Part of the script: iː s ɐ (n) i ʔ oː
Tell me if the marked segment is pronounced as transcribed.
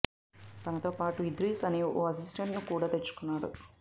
yes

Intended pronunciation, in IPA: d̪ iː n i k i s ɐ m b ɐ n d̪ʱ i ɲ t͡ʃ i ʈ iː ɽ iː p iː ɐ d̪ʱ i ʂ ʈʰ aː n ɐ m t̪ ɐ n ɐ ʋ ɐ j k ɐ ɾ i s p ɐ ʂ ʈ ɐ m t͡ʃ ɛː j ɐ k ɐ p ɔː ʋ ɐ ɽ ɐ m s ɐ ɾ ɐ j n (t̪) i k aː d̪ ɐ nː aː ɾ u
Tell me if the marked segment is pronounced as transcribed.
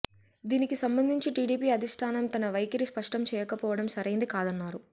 no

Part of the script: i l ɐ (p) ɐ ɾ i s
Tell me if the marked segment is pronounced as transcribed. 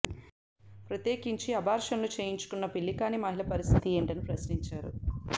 yes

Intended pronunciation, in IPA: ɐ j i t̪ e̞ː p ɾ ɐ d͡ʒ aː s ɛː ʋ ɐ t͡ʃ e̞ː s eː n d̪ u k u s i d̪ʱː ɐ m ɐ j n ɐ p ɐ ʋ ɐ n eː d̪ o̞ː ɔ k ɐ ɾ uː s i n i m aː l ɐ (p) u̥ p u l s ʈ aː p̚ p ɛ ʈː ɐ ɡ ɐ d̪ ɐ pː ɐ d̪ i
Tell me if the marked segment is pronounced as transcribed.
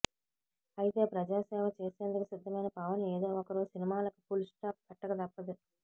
no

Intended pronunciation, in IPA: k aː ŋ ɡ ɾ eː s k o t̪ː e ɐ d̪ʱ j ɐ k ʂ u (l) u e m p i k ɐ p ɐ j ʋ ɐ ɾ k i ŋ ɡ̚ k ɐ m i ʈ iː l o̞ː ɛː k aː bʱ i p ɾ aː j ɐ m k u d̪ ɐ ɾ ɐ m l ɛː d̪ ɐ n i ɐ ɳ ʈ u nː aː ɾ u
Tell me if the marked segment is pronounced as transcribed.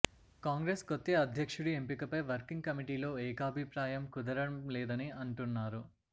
no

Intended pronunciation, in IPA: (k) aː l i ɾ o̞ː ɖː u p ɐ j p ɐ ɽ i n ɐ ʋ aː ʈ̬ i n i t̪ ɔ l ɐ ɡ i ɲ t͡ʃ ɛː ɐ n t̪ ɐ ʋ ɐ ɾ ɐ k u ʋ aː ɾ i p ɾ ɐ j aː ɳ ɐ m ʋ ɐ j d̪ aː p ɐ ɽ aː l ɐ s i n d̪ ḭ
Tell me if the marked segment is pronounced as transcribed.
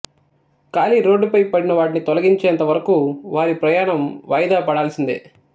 yes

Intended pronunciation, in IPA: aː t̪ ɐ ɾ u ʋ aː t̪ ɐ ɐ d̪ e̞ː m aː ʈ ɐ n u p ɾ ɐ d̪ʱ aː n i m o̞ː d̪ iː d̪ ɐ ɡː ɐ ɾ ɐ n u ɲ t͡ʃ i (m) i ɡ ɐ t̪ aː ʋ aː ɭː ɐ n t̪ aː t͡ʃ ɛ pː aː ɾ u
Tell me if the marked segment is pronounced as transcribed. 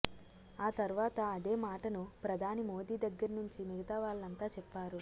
yes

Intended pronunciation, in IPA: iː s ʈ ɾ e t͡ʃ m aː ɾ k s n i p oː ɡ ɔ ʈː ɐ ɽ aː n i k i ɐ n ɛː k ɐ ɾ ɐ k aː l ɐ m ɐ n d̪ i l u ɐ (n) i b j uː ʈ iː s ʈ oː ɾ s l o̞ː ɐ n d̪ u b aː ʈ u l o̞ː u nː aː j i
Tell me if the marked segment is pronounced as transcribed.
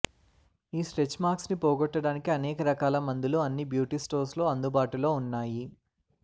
no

